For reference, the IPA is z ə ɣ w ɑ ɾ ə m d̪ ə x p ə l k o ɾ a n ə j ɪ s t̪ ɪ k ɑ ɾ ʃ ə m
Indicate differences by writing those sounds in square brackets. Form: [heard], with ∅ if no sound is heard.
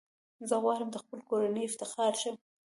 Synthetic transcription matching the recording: z ə ɣ w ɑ ɾ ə m d̪ ə x p ə l k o ɾ a n ə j ɪ [f] t̪ ɪ [x] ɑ ɾ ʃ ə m